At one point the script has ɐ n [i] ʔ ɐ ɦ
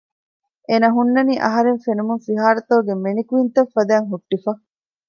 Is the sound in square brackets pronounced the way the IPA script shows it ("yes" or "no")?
no